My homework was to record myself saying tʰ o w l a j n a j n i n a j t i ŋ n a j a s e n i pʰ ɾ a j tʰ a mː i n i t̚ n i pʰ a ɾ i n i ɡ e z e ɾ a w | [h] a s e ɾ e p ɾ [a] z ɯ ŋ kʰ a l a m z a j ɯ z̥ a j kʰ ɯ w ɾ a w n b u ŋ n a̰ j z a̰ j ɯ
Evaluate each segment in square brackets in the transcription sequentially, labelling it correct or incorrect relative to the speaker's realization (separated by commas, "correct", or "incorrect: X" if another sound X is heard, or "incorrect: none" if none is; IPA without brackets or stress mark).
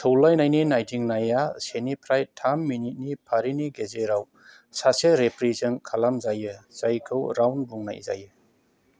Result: incorrect: s, incorrect: i